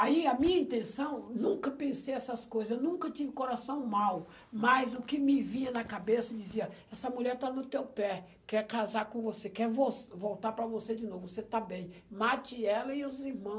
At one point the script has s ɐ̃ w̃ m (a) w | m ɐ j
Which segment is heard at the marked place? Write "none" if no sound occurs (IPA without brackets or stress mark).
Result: a